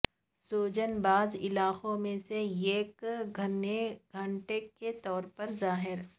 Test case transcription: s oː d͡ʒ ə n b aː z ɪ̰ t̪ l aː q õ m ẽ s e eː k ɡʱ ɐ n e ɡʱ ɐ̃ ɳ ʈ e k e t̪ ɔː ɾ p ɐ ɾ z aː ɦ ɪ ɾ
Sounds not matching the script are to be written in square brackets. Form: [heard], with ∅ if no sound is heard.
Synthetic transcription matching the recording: s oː d͡ʒ ə n b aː z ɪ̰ [∅] l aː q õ m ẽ s e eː k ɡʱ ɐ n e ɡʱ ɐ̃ ɳ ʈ e k e t̪ ɔː ɾ p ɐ ɾ z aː ɦ ɪ ɾ